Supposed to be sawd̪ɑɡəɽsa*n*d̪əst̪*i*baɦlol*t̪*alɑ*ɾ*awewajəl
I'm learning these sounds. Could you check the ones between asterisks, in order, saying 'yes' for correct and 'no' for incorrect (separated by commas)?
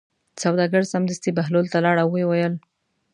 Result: no, yes, yes, no